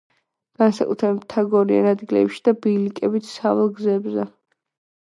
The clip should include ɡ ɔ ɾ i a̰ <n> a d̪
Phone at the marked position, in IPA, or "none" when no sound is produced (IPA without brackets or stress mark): n